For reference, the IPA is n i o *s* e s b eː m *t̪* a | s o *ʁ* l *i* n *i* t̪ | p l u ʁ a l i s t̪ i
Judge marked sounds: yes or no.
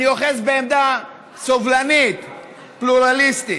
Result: no, no, no, no, yes

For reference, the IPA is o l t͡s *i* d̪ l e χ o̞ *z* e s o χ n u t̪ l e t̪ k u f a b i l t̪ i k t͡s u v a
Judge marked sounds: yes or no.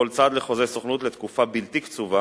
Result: no, yes

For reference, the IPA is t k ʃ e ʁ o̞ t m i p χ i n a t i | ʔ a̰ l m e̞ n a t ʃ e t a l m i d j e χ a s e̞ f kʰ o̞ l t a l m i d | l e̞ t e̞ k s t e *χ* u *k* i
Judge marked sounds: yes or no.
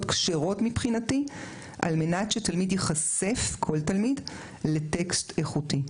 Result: yes, no

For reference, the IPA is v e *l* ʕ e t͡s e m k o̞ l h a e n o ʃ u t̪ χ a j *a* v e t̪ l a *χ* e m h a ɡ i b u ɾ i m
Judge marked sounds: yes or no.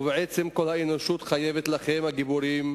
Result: no, no, yes

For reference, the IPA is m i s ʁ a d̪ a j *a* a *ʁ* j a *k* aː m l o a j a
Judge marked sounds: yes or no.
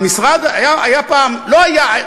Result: yes, no, no

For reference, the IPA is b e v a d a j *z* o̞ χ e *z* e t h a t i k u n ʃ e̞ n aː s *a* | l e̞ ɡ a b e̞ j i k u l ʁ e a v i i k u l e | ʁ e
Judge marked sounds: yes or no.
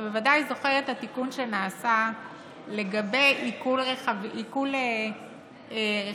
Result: yes, no, yes

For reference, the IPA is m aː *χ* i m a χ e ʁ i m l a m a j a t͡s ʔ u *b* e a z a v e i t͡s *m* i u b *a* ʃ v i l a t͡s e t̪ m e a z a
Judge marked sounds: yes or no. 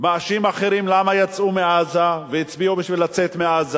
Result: no, no, no, no

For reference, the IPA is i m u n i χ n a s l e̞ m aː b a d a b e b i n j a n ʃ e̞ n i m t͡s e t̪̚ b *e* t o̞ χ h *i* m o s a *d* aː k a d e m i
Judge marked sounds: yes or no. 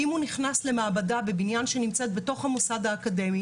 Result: yes, no, yes

